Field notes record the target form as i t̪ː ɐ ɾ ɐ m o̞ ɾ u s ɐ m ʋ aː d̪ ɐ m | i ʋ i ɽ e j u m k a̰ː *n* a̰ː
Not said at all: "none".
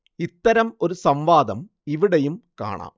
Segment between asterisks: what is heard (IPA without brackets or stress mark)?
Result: ɳ